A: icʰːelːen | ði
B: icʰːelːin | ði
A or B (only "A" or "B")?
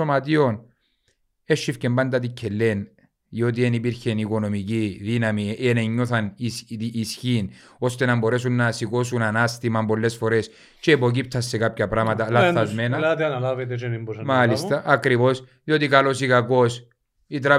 A